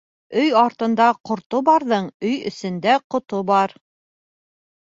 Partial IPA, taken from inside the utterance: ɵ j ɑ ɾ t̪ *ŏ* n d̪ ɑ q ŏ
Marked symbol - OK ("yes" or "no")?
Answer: no